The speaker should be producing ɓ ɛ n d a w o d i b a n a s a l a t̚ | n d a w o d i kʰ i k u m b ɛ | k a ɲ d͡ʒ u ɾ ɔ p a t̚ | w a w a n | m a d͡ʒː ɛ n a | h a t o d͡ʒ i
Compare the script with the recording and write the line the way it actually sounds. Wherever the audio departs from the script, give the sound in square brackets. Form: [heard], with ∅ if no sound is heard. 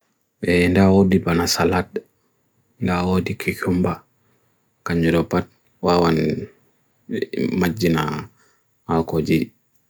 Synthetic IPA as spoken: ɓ ɛ n d a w o d i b a n a s a l a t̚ | n d a w o d i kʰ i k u m b [a] | k a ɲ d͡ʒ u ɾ ɔ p a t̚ | w a w a n | m a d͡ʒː [i] n a | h a [k] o d͡ʒ i